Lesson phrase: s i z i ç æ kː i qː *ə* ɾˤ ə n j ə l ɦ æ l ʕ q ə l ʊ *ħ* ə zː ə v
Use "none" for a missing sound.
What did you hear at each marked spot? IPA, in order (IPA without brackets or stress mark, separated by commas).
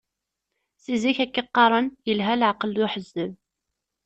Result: ɑ, ħ